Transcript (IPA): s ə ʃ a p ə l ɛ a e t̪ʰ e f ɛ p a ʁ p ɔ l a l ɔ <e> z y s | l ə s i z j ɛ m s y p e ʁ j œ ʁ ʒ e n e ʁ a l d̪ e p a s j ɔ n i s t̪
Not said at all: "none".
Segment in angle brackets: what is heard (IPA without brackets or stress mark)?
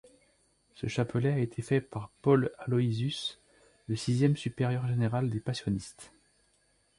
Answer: i